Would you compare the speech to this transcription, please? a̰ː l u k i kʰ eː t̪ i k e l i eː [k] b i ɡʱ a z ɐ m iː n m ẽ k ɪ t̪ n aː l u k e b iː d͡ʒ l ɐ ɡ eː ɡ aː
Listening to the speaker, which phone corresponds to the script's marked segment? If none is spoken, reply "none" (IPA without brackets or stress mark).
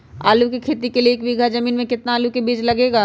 k